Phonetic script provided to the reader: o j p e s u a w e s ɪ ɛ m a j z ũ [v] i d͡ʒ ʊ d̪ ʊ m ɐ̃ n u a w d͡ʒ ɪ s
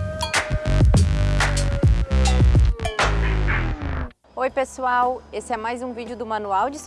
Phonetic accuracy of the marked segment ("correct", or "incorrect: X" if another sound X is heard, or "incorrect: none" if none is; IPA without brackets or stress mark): correct